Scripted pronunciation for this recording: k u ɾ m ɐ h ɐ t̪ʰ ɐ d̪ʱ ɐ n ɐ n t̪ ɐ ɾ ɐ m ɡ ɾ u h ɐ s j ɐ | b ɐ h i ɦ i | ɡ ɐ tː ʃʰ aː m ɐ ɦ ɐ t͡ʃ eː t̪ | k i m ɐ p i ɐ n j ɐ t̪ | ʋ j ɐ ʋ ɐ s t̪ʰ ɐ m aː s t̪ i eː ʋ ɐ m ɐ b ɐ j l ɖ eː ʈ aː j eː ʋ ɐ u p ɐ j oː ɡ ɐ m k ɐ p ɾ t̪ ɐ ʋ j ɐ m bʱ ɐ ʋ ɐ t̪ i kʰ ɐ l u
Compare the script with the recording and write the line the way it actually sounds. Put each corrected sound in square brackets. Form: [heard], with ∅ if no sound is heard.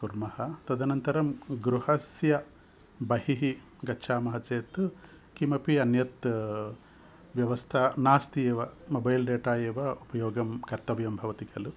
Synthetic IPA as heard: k u ɾ m ɐ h ɐ [t̪] ɐ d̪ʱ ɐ n ɐ n t̪ ɐ ɾ ɐ m ɡ ɾ u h ɐ s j ɐ | b ɐ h i ɦ i | ɡ ɐ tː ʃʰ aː m ɐ ɦ ɐ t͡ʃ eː t̪ | k i m ɐ p i ɐ n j ɐ t̪ | ʋ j ɐ ʋ ɐ s t̪ʰ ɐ [n] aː s t̪ i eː ʋ ɐ m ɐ b ɐ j l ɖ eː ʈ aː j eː ʋ ɐ u p ɐ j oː ɡ ɐ m k ɐ [∅] ɾ t̪ ɐ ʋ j ɐ m bʱ ɐ ʋ ɐ t̪ i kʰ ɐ l u